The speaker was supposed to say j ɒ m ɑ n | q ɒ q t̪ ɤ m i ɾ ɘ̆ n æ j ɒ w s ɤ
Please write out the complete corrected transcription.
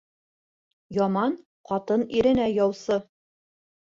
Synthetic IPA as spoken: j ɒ m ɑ n | q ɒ t̪ ɤ n i ɾ ɘ̆ n æ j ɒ w s ɤ